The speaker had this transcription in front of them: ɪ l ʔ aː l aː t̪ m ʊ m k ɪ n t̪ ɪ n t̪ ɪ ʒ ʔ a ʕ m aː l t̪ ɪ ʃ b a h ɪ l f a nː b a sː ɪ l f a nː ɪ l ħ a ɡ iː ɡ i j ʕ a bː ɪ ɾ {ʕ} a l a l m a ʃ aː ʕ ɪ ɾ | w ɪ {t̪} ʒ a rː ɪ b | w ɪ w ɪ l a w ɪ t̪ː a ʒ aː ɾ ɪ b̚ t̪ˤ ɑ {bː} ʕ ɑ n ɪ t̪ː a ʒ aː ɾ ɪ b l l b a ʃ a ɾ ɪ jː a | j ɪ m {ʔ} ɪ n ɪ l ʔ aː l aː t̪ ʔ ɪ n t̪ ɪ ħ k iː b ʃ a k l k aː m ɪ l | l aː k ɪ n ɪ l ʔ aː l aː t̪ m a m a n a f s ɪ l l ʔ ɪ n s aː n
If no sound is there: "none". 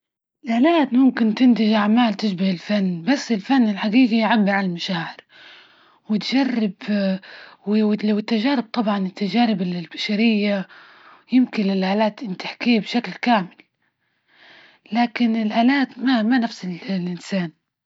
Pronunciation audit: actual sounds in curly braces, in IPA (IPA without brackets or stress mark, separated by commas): ʕ, t̪, b, k